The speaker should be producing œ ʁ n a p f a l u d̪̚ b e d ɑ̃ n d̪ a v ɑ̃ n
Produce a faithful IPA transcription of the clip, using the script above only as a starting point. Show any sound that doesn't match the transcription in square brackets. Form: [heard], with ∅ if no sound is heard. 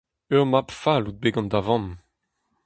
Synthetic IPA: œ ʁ [m] a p f a l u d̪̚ b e [ɡ] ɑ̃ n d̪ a v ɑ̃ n